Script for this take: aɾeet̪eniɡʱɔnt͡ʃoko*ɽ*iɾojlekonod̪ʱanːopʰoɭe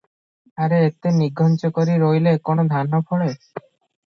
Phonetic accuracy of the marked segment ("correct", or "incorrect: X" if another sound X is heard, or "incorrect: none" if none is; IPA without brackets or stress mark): incorrect: ɾ